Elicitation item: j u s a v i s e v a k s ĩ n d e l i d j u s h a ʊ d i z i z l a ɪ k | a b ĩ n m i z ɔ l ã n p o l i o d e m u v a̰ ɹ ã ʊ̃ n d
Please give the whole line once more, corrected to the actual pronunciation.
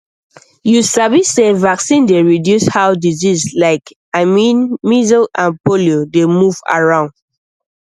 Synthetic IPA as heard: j u s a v i s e v a k s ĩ n d e ɹ i d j u s h a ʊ d i z i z l a ɪ k | a m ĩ n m i z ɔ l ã n p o l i o d e m u v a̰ ɹ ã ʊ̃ n d

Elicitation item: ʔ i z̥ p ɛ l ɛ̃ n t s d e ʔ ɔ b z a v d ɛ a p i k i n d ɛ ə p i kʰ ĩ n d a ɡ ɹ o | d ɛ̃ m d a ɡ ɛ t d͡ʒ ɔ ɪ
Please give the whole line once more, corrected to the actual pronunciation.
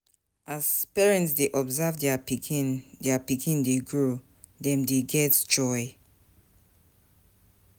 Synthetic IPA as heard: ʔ a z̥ p ɛ ɹ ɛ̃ n t s d e ʔ ɔ b z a v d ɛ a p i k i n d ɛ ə p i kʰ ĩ n d e ɡ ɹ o | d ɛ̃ m d e ɡ ɛ t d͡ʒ ɔ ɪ

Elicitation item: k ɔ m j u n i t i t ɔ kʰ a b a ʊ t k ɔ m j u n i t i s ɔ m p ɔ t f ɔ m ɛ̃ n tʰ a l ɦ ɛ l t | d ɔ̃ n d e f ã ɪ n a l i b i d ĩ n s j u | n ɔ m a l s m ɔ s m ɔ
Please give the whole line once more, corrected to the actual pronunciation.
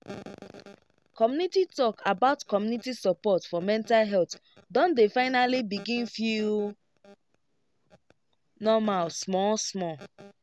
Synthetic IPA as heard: k ɔ m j u n i t i t ɔ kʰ a b a ʊ t k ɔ m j u n i t i s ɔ p ɔ t f ɔ m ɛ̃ n t a l ɦ ɛ l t | d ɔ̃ n d e f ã ɪ n a l i b i ɡ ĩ n f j u | n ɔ m a l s m ɔ s m ɔ

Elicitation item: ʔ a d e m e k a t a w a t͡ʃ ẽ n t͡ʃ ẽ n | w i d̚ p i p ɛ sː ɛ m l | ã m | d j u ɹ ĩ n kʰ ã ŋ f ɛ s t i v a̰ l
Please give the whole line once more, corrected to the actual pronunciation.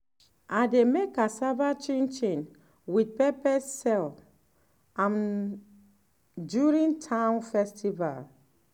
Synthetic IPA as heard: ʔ a d e m e k a s a v a t͡ʃ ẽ n t͡ʃ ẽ n | w i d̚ p ɛ p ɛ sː ɛ l | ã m | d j u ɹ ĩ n tʰ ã n f ɛ s t i v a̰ l

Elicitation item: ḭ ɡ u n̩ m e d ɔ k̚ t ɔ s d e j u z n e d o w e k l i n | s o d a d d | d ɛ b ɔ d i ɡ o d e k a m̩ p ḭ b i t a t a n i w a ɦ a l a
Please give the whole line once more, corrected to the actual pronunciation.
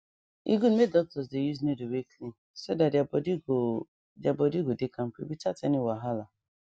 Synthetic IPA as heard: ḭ ɡ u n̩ m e d ɔ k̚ t ɔ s d e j u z n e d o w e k l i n | s o d a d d | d a b ɔ d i ɡ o d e k a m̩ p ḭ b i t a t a n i w a ɦ a l a

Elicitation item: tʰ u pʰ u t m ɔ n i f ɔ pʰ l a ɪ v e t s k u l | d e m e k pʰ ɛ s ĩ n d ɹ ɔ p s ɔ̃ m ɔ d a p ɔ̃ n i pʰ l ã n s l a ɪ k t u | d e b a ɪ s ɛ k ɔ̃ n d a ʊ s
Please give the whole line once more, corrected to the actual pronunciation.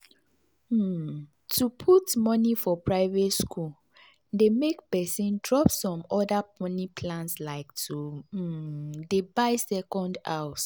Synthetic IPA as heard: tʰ u pʰ u t m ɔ n i f ɔ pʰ ɹ a ɪ v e t s k u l | d e m e k p ɛ s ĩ n d ɹ ɔ p s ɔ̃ m ɔ d a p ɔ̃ n i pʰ l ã n s l a ɪ k t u | d e b a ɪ s ɛ k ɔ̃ n d a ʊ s

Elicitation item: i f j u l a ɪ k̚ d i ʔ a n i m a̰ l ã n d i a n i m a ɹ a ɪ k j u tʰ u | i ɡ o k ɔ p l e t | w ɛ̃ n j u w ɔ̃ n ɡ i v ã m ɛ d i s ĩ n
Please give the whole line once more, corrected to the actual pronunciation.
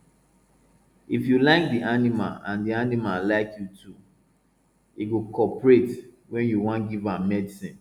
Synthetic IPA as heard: i f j u l a ɪ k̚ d i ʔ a n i m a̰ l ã n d i a n i m a l a ɪ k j u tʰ u | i ɡ o k ɔ p ɹ e t | w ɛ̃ n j u w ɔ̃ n ɡ i v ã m ɛ d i s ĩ n

